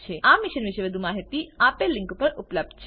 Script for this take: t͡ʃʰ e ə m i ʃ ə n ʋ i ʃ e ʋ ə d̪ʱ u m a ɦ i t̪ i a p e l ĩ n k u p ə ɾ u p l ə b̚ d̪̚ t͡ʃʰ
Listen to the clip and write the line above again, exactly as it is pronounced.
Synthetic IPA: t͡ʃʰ e a m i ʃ ə n ʋ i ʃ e ʋ ə d̪ʱ u m a ɦ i t̪ i a p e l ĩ ŋ k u p ə ɾ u p l ə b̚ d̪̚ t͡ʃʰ

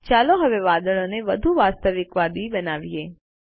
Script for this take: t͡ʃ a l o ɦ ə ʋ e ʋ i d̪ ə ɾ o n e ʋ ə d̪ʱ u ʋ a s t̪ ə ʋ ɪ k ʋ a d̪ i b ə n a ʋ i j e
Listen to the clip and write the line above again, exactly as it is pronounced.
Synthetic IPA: t͡ʃ a l o ɦ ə ʋ e ʋ a d̪ ə ɭ o n e ʋ ə d̪ʱ u ʋ a s t̪ ə ʋ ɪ k ʋ a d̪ i b ə n a ʋ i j e

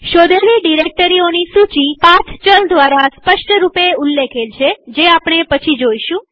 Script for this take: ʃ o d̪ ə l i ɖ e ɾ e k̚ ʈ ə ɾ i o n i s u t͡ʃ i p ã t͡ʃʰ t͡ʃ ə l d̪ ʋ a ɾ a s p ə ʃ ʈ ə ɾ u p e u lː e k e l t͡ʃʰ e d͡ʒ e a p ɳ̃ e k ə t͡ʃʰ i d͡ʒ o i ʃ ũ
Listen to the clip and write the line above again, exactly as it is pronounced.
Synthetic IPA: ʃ o d̪ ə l i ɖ i ɾ e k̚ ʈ ə ɾ i o n i s u t͡ʃ i p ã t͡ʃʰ t͡ʃ ə l d̪ ʋ a ɾ a s p ə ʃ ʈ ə ɾ u p e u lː e kʰ e l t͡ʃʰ e d͡ʒ e a p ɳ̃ e p ə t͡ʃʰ i d͡ʒ o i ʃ ũ

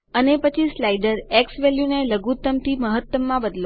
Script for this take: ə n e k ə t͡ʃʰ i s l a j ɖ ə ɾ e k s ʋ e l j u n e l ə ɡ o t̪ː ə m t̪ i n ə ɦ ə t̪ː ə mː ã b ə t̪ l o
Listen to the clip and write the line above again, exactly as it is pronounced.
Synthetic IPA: ə n e p ə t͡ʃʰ i s l a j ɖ ə ɾ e k s ʋ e l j u n e l ə ɡ u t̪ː ə m t̪ i m ə ɦ ə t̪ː ə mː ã b ə d̪ l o

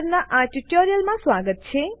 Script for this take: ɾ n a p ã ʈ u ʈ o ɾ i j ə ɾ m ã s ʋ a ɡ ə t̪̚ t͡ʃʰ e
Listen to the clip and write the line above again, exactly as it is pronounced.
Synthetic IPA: ɾ n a ʔ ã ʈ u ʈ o ɾ i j ə l m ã s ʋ a ɡ ə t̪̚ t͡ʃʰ e

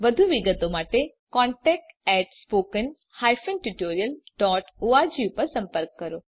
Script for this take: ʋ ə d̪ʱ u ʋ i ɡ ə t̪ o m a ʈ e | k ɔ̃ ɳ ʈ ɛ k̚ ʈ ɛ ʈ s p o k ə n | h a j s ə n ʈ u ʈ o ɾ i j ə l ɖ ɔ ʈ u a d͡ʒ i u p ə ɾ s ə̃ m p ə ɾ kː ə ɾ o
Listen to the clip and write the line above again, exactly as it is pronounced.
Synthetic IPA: ʋ ə d̪ʱ u ʋ i ɡ ə t̪ o m a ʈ e | k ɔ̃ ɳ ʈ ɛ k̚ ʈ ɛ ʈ s p o k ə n | h a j f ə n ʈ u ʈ o ɾ i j ə l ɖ ɔ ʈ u a d͡ʒ i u p ə ɾ s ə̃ m p ə ɾ kː ə ɾ o

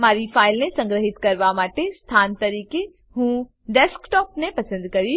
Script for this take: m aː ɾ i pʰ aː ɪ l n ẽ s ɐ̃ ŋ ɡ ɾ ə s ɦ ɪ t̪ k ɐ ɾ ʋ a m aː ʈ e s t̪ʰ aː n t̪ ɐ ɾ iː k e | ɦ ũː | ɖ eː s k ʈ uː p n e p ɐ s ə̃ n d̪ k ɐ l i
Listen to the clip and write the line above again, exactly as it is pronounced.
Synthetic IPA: m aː ɾ i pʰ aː ɪ l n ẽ s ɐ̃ ŋ ɡ ɾ ə ɦ ɪ t̪ k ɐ ɾ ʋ a m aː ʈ e s t̪ʰ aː n t̪ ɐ ɾ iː k e | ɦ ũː | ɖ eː s k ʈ ɔː p n e p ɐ s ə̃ n d̪ k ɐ ɾ i

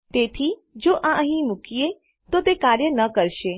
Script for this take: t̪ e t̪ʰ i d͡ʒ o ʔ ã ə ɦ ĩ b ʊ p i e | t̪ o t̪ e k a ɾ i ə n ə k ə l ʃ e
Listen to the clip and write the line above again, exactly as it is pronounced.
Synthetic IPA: t̪ e t̪ʰ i d͡ʒ o ʔ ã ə ɦ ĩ m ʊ k i e | t̪ o t̪ e k a ɾ j ə n ə k ə ɾ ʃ e

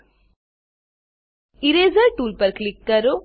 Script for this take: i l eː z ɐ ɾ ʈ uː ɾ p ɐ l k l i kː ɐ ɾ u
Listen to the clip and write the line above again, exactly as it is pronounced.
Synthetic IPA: i ɾ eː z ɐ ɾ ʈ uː l p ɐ ɾ k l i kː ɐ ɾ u

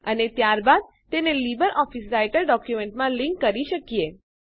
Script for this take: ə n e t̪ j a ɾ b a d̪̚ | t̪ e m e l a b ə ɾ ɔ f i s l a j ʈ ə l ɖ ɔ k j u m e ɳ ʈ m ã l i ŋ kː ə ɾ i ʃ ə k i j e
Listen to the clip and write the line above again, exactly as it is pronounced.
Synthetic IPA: ə n e t̪ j a ɾ b a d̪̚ | t̪ e n e l i b ə ɾ ɔ f i s ɾ a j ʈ ə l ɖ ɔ k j u m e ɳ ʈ m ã l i ŋ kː ə ɾ i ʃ ə k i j e

